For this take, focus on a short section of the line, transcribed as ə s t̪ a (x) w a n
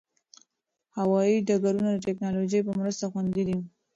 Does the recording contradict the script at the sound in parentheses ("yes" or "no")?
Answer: no